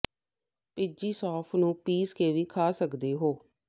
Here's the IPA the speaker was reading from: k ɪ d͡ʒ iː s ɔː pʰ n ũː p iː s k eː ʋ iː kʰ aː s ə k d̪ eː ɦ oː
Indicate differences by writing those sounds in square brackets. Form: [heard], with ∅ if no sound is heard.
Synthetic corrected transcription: [p] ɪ d͡ʒ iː s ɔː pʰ n ũː p iː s k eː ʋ iː kʰ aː s ə k d̪ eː ɦ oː